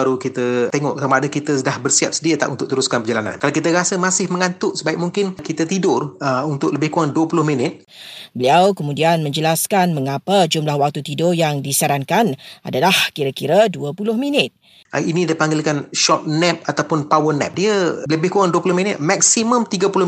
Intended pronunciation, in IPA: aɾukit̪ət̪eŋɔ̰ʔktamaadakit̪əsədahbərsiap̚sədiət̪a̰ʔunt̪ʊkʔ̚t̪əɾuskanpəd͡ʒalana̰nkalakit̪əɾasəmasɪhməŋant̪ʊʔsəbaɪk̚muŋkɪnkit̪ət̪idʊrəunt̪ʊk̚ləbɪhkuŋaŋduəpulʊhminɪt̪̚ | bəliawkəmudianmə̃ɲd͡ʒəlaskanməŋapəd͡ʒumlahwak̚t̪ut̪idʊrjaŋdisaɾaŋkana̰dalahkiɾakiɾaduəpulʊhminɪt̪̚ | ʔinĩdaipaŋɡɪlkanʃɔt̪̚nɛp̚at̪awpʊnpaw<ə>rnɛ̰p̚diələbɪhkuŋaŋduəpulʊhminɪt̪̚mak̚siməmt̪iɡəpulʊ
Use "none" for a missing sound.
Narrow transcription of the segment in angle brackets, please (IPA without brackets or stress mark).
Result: ə